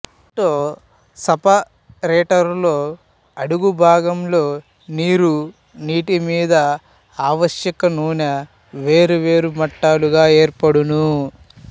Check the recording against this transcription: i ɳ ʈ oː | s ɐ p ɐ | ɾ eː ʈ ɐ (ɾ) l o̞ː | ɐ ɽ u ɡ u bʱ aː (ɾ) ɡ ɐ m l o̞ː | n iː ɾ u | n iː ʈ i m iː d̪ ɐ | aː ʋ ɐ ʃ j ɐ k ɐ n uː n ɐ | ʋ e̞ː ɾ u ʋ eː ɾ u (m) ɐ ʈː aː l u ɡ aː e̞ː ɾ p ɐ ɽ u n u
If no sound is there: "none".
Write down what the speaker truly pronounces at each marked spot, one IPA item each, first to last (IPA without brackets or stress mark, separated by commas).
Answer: ɾ, none, m